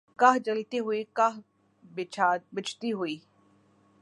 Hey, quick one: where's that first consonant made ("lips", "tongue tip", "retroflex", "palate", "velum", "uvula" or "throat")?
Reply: velum